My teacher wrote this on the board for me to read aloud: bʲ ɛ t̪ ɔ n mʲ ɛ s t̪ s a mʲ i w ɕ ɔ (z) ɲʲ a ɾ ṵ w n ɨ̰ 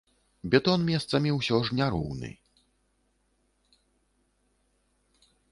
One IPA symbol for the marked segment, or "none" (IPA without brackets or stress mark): ʐ